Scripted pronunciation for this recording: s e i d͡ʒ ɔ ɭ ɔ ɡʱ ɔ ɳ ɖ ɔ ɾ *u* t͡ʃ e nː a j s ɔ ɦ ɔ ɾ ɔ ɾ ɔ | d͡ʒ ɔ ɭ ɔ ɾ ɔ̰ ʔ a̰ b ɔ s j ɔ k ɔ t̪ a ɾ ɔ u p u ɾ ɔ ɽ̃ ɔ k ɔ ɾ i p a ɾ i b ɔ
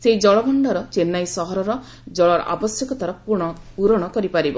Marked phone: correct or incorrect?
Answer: incorrect